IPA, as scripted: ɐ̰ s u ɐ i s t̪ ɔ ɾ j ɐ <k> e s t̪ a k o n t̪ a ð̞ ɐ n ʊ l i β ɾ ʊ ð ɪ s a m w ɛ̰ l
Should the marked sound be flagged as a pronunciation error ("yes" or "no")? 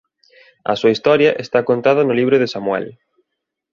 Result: yes